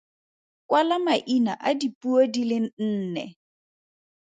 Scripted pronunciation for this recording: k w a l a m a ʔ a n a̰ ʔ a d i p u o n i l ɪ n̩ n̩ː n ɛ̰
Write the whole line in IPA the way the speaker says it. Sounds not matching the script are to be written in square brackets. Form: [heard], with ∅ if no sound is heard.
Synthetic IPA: k w a l a m a ʔ [i] n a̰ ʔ a d i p u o [d] i l ɪ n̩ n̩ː n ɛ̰